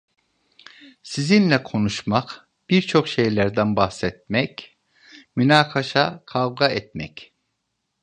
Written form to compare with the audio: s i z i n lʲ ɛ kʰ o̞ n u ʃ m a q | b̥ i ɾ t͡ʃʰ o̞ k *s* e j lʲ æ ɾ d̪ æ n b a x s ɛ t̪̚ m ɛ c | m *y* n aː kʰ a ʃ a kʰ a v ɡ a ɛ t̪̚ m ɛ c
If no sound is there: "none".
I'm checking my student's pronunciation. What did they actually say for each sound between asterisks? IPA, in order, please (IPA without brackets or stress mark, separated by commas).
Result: ʃ, y